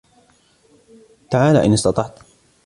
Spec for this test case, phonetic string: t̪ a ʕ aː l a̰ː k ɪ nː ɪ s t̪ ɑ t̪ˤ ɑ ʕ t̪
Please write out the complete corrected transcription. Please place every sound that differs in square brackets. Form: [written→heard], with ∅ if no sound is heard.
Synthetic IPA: t̪ a ʕ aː l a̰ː [k→ʔ] ɪ [nː→n] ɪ s t̪ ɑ t̪ˤ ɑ ʕ t̪